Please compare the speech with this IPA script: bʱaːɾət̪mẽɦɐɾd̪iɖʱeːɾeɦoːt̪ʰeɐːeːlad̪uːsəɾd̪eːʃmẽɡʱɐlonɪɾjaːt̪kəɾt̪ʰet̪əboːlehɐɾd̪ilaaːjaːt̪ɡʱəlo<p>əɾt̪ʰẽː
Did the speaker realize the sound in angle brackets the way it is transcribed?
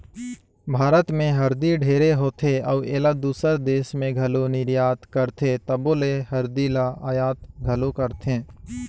no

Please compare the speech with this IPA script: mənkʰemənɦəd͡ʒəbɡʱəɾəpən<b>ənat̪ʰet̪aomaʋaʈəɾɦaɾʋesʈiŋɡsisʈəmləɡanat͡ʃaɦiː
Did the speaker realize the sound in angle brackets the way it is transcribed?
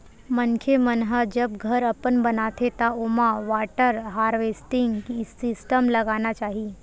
yes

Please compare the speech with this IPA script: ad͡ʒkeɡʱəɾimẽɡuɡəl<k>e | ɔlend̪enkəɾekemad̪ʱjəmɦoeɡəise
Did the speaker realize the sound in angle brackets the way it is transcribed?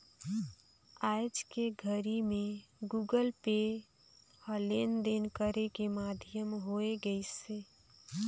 no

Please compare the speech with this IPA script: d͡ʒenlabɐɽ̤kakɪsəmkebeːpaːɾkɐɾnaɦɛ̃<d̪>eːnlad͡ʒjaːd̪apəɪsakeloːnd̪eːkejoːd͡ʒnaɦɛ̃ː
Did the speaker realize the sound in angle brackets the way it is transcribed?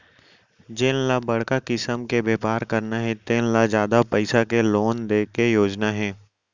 no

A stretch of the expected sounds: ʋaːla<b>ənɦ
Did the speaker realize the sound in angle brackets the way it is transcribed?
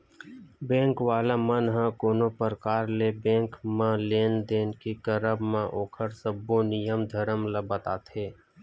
no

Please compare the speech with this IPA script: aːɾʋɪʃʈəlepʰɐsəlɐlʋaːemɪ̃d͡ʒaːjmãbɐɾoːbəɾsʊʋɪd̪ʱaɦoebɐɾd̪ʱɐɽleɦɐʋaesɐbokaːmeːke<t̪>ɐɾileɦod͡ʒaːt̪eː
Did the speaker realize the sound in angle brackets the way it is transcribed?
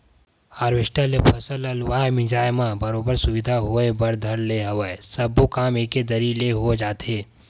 no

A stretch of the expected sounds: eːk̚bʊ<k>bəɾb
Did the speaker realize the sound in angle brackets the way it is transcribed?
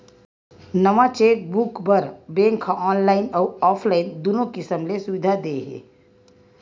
yes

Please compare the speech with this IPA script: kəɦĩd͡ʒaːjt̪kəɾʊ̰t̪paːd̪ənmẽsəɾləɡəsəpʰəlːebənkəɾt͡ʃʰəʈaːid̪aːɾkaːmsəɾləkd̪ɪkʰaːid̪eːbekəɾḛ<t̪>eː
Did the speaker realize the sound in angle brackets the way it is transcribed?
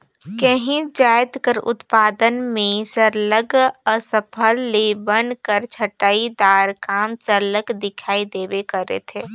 no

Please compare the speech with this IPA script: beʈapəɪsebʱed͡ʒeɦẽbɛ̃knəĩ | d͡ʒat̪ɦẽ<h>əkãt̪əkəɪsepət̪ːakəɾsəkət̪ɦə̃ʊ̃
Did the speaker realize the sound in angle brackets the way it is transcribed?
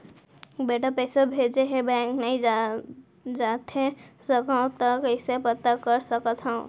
no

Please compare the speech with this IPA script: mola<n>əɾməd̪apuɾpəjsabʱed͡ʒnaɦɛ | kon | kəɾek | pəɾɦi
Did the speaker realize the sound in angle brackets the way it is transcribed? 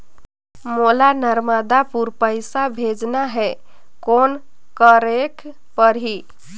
yes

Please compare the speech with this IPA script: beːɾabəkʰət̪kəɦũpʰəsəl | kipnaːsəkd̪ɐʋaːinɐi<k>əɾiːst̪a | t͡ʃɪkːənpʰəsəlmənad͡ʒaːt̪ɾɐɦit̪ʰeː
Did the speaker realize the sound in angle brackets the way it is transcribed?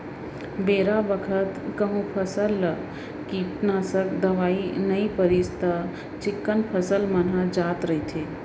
no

